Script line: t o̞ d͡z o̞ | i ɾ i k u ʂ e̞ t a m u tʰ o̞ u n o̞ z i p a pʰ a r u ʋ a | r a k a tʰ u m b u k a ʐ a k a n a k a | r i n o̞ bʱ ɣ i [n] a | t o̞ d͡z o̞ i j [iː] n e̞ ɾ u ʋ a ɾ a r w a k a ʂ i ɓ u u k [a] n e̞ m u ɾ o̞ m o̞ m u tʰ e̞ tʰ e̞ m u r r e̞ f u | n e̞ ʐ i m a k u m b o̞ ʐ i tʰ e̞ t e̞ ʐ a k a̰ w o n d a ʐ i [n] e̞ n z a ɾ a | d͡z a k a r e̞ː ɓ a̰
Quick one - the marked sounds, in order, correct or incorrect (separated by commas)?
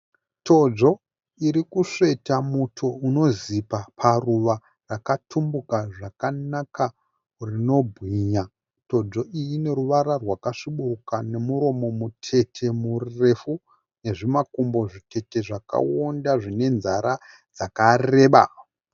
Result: incorrect, incorrect, correct, correct